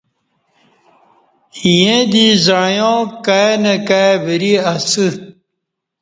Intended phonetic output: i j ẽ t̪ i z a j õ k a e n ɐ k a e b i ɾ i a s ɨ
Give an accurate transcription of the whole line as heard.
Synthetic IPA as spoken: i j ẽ d̪ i z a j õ k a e n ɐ k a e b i ɾ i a s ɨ